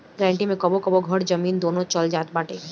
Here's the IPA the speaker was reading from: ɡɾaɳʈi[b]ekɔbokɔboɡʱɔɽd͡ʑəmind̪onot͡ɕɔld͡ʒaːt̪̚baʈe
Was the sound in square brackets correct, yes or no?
no